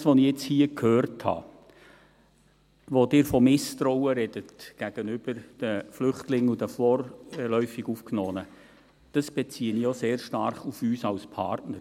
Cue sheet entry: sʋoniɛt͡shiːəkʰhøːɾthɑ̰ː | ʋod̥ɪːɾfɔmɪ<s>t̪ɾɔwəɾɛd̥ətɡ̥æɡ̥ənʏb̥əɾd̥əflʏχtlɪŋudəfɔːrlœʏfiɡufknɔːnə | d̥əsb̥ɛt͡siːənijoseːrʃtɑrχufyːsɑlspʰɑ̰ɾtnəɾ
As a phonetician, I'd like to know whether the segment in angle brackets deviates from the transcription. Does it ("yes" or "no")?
no